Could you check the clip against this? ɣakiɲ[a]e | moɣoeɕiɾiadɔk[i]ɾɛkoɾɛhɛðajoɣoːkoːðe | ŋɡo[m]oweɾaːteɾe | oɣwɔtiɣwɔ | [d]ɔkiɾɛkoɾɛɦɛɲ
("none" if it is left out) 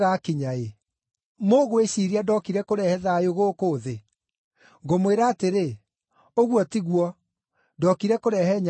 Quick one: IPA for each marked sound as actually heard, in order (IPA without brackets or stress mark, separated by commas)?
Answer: a, i, m, d